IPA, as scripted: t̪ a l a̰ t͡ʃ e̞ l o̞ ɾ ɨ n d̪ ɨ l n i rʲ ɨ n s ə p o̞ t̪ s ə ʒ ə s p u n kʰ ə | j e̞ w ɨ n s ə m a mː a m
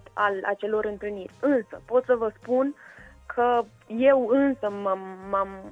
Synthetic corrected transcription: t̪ a l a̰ t͡ʃ e̞ l o̞ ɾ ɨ n t̪ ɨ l n i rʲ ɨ n s ə p o̞ t̪ s ə v ə s p u n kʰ ə | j e̞ w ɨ n s ə m a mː a m